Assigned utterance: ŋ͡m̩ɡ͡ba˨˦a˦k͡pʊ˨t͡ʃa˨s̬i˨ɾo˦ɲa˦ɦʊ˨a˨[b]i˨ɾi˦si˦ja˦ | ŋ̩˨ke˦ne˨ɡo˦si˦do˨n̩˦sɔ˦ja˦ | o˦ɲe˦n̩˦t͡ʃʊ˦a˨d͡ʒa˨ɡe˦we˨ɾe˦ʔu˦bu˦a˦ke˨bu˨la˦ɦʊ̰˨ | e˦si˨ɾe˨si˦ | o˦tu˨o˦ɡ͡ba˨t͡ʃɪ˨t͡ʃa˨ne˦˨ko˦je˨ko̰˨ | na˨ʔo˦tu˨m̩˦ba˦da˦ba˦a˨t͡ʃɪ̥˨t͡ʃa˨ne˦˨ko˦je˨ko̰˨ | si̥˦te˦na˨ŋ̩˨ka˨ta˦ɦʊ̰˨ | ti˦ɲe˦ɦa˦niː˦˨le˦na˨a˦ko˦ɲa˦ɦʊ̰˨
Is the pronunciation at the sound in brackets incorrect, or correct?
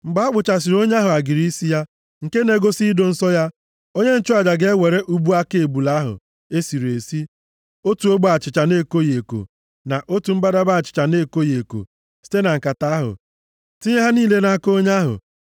incorrect